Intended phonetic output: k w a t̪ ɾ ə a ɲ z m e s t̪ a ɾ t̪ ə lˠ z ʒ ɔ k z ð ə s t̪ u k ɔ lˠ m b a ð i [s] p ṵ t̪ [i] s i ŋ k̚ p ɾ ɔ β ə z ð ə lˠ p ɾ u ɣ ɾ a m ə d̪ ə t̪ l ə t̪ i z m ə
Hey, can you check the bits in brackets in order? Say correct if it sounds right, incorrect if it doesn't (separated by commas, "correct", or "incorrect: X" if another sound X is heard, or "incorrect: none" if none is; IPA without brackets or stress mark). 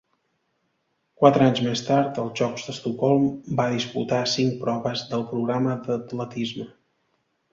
correct, incorrect: a